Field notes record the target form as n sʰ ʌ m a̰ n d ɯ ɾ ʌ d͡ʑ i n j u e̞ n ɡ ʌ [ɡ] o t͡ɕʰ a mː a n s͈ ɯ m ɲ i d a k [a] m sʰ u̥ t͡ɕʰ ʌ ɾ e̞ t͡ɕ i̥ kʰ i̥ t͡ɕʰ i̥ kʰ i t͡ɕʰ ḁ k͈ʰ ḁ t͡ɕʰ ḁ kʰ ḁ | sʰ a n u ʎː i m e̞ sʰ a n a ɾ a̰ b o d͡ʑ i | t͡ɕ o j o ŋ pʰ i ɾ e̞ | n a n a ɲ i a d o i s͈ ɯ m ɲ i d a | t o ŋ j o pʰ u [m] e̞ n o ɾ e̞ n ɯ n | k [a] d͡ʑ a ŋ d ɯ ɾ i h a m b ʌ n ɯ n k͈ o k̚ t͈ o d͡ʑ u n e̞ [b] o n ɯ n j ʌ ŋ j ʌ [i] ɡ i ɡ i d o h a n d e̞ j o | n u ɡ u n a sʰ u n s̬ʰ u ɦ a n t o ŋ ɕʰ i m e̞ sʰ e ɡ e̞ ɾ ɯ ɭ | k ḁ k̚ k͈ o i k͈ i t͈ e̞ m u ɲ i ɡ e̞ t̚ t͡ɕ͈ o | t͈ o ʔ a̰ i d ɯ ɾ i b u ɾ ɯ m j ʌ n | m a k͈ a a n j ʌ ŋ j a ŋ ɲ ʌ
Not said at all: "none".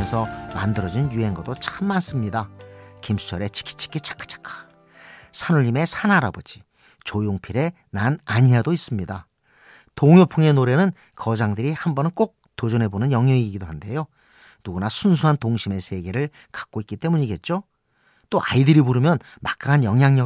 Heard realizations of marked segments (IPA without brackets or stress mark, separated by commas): d, i, ŋ, ʌ, b, i